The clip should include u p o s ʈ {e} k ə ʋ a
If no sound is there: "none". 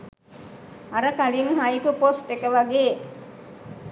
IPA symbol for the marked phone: e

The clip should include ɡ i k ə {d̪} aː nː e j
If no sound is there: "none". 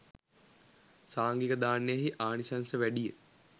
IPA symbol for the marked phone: d̪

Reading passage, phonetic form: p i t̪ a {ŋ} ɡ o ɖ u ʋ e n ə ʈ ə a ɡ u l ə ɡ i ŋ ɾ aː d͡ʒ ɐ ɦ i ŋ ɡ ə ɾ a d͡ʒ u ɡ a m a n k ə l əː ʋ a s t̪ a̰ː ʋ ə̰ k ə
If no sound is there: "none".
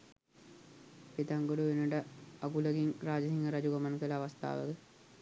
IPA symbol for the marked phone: ŋ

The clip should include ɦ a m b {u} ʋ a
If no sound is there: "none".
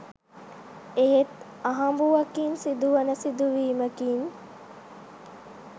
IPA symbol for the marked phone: u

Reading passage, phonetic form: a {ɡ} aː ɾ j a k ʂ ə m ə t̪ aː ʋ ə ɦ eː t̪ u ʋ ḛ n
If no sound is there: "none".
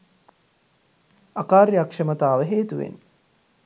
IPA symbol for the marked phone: k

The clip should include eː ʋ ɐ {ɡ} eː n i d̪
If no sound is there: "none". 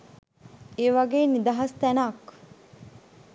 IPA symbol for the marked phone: ɡ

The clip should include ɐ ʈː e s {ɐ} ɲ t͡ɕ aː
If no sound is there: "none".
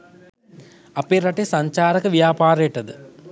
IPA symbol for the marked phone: ɐ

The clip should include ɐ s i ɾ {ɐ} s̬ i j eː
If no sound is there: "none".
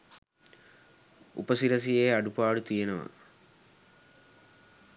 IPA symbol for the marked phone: ɐ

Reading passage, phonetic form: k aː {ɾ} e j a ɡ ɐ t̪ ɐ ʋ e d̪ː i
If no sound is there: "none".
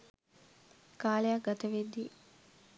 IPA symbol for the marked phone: l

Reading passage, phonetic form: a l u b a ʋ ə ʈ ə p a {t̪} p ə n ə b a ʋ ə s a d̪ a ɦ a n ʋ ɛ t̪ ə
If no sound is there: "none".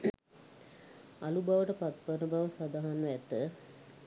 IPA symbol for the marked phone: t̪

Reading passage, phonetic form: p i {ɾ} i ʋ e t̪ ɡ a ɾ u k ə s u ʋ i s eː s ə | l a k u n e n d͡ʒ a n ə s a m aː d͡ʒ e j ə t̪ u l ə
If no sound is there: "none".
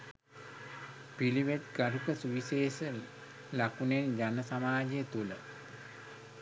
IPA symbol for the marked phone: l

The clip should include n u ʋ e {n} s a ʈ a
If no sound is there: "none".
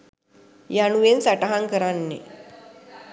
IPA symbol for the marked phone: n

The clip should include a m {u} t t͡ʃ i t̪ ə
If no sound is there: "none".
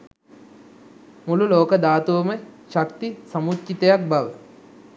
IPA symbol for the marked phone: u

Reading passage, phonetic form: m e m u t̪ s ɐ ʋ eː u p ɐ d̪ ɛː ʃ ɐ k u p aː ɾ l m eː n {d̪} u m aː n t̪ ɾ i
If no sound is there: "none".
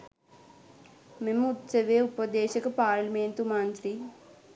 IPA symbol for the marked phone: t̪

